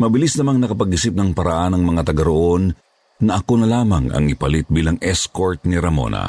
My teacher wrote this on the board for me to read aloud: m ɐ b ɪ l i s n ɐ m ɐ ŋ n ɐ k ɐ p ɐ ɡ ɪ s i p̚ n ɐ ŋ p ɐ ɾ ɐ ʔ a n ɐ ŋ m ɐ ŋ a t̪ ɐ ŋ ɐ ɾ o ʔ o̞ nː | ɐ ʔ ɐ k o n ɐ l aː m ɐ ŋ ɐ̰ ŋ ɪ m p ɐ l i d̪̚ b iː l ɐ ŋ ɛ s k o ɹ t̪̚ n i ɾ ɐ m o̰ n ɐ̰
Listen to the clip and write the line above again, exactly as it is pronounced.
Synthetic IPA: m ɐ b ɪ l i s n ɐ m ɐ ŋ n ɐ k ɐ p ɐ ɡ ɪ s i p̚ n ɐ ŋ p ɐ ɾ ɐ ʔ a n ɐ ŋ m ɐ ŋ a t̪ ɐ ɡ ɐ ɾ o ʔ o̞ nː | ɐ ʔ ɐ k o n ɐ l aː m ɐ ŋ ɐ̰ ŋ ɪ p ɐ l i t̪̚ b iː l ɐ ŋ ɛ s k o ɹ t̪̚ n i ɾ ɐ m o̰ n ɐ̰